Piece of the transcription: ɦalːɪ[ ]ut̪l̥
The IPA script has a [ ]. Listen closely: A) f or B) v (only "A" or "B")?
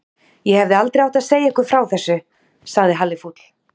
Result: A